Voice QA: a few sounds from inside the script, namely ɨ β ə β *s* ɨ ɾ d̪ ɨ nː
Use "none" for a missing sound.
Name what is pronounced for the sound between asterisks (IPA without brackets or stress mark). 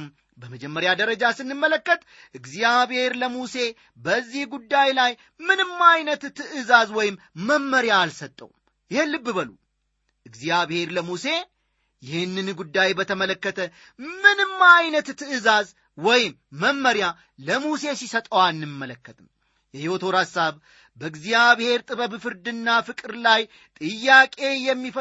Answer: f